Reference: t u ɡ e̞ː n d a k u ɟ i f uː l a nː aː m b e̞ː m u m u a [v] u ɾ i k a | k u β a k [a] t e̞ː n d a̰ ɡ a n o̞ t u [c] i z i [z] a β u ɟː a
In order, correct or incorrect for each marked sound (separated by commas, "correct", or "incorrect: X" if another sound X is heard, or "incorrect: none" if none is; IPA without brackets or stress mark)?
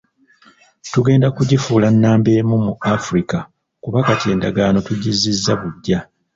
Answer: incorrect: f, correct, incorrect: ɟ, incorrect: zː